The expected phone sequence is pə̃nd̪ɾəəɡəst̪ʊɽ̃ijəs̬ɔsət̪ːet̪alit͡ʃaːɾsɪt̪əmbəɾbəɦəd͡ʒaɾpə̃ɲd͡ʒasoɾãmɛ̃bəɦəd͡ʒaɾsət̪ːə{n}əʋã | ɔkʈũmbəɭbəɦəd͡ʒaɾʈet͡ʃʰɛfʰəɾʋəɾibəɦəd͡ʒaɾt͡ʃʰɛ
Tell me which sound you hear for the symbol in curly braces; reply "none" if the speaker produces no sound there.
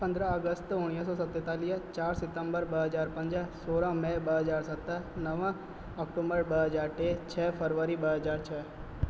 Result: n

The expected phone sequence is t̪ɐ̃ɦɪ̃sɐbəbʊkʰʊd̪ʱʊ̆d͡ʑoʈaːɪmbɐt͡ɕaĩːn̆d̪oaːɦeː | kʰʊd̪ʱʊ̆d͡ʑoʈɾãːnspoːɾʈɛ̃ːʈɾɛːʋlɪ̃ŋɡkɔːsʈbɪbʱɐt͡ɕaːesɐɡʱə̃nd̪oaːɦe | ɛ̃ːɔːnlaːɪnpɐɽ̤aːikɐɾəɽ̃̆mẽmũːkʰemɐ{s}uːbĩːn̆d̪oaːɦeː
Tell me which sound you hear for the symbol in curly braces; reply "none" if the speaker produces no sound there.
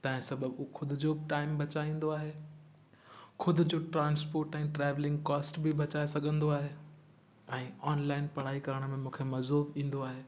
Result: z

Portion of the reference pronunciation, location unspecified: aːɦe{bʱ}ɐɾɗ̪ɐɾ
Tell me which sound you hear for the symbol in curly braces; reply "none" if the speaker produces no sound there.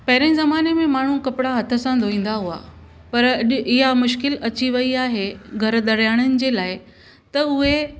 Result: ɡʱ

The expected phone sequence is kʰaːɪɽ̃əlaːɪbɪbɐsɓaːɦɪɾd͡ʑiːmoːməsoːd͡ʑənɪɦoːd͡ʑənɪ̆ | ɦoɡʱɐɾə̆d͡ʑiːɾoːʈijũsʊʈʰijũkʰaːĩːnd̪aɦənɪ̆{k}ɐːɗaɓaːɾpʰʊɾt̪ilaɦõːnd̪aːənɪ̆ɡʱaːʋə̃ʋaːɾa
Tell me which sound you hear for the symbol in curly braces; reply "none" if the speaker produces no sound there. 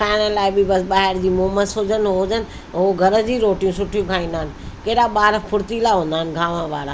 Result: k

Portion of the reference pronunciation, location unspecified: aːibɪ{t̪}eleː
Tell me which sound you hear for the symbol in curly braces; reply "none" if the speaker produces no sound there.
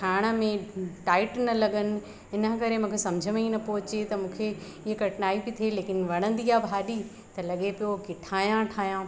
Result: t̪ʰ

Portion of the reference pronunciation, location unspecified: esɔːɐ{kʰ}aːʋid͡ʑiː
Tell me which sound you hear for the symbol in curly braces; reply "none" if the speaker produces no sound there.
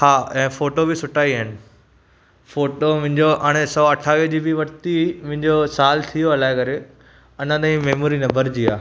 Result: ʈʰ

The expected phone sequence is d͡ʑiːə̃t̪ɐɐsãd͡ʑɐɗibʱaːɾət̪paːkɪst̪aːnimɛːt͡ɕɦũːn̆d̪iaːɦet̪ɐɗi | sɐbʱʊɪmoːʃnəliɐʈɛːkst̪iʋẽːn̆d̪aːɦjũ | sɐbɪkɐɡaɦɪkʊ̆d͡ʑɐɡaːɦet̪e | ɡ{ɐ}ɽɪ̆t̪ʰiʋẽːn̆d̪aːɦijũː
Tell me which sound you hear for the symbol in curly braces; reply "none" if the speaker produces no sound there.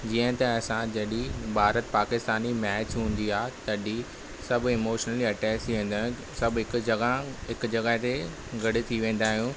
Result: ɐ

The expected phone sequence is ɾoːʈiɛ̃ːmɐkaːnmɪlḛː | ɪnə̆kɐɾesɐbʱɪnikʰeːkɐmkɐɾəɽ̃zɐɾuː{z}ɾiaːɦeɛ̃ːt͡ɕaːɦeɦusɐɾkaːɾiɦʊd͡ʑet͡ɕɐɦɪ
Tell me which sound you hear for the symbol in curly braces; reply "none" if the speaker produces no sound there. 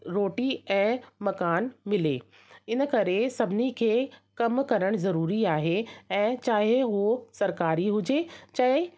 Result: none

